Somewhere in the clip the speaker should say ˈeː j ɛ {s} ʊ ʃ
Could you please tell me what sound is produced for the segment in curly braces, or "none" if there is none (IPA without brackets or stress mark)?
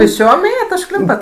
t